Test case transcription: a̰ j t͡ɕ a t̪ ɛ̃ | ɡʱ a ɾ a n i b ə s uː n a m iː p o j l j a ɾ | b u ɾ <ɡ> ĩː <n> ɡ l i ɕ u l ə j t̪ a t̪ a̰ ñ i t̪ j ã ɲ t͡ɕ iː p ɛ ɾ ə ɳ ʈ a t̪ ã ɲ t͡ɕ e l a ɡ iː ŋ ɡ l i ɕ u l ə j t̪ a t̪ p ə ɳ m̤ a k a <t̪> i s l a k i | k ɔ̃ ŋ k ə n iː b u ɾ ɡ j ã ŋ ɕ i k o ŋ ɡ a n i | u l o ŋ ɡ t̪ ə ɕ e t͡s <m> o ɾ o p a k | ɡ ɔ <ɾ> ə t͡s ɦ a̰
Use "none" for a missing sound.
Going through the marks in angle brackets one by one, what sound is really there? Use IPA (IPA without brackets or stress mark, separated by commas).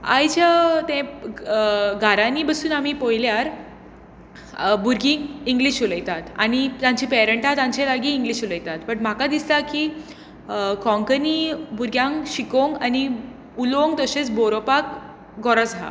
ɡ, ŋ, d̪, b, ɾ